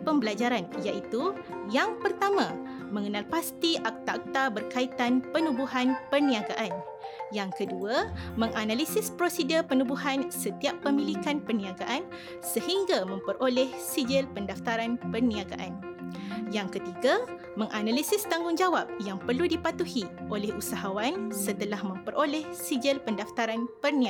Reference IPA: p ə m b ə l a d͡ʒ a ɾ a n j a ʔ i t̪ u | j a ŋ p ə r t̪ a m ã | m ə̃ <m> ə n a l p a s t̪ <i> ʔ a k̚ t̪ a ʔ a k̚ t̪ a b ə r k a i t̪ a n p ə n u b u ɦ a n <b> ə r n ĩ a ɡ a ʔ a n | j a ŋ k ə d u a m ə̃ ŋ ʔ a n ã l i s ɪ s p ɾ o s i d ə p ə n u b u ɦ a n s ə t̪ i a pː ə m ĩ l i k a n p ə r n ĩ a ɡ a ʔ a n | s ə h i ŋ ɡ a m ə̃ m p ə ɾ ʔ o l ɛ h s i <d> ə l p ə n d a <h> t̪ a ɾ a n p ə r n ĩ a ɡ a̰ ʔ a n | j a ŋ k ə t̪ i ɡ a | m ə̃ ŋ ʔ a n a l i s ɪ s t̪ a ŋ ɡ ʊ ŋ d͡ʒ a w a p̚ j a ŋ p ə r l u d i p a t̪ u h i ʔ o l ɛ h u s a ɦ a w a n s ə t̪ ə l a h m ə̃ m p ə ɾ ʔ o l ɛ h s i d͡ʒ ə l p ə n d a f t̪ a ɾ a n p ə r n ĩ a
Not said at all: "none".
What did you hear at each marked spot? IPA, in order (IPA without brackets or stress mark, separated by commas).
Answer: ŋ, i, p, d͡ʒ, f